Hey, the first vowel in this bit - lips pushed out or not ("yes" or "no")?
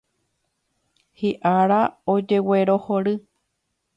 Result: no